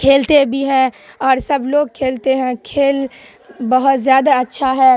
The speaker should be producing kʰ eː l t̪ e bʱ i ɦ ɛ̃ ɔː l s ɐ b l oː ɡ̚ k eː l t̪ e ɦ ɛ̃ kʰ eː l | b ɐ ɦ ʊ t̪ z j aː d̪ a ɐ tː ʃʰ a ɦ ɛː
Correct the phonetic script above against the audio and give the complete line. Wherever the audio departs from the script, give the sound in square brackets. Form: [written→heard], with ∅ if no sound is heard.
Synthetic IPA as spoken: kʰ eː l t̪ e bʱ i ɦ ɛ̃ ɔː [l→ɾ] s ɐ b l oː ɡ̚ [k→kʰ] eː l t̪ e ɦ ɛ̃ kʰ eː l | b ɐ ɦ ʊ t̪ z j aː d̪ a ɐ tː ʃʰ a ɦ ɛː